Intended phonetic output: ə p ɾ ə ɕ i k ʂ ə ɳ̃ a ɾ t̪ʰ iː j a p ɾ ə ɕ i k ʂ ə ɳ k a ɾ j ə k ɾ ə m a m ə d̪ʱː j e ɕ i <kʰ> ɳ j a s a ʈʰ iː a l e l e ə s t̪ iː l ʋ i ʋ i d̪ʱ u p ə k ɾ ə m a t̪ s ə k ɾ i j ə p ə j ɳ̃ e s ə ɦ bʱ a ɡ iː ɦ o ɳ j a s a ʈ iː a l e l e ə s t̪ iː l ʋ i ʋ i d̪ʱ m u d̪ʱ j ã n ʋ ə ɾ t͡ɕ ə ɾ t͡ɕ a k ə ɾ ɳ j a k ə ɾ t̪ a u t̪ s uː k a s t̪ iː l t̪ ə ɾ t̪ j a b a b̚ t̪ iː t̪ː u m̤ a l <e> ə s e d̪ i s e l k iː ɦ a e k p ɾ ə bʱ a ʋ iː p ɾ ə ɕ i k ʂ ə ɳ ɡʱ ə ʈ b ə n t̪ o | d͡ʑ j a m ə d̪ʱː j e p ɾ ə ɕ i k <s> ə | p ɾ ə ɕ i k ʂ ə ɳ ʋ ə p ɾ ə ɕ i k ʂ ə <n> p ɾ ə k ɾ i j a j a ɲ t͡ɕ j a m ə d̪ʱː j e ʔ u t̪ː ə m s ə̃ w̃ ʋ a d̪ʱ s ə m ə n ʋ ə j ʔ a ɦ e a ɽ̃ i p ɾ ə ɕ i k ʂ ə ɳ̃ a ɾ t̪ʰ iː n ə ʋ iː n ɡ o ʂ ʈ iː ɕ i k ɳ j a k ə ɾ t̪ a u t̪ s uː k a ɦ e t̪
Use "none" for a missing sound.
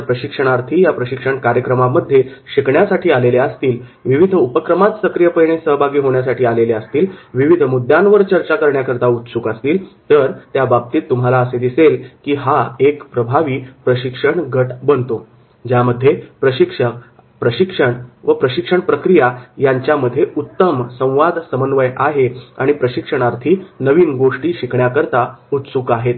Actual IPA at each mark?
k, a, ʂ, ɳ

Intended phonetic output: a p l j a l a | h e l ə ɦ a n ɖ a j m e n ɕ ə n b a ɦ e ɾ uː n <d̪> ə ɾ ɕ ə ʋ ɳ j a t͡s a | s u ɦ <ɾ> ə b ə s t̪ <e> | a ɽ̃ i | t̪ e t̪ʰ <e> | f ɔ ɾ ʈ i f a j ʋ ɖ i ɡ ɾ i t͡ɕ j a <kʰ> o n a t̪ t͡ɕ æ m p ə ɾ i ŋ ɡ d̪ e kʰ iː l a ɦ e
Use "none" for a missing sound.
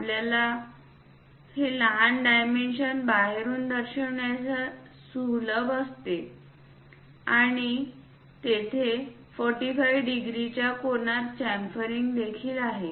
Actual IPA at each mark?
d̪, l, e, e, k

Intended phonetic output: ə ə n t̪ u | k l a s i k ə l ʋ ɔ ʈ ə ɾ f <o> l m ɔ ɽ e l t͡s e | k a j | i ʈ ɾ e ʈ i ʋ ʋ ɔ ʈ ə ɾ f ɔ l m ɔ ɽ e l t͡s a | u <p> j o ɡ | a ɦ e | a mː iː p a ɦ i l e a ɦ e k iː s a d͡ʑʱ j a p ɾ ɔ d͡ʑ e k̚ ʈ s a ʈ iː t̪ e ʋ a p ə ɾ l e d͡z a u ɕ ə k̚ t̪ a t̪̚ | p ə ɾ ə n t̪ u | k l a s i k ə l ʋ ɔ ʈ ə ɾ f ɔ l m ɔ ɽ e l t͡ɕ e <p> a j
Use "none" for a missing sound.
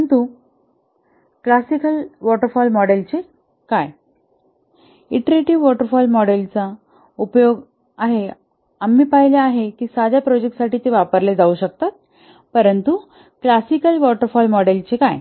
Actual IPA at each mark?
ɔ, p, k

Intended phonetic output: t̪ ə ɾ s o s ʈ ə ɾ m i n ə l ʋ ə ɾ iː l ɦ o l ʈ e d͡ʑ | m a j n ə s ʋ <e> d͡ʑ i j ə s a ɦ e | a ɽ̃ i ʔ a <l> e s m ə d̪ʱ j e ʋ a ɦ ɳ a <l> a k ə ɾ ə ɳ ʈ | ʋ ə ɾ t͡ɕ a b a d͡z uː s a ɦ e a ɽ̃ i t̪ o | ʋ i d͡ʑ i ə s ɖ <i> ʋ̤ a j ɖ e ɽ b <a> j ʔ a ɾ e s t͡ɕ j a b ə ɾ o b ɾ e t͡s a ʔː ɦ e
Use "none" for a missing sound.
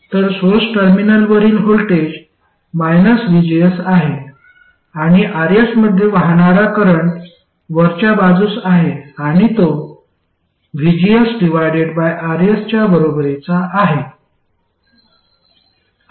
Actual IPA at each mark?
i, ɾ, ɾ, i, a

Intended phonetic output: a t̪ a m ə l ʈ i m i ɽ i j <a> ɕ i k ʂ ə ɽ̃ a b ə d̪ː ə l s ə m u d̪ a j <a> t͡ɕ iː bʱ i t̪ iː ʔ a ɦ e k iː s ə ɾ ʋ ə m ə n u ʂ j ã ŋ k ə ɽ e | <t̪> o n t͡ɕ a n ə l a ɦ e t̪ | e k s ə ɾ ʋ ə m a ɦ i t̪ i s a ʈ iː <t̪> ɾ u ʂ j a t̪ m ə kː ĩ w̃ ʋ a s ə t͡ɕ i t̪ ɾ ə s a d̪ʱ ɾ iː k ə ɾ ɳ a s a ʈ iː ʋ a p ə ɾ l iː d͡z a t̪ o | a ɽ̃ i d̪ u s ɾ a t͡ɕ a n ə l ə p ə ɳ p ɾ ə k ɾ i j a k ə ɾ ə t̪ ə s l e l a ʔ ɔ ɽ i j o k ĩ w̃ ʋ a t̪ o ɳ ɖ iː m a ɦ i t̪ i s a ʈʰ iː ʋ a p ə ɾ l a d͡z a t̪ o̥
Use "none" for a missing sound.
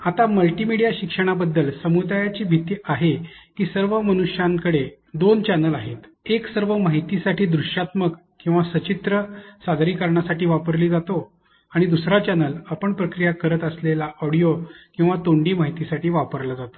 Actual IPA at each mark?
a, a, d̪, d̪

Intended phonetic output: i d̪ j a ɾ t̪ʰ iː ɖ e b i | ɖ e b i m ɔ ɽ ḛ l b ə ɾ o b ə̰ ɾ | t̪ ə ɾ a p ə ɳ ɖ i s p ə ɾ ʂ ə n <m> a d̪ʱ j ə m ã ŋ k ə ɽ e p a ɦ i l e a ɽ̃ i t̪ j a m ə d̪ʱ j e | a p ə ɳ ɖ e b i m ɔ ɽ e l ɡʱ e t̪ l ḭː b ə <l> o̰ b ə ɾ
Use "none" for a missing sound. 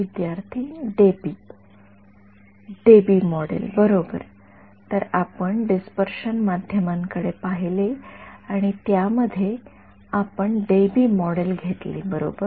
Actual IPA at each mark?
m, ɾ

